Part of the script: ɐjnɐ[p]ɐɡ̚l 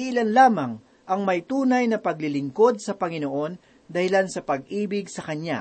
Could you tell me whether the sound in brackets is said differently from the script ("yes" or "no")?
no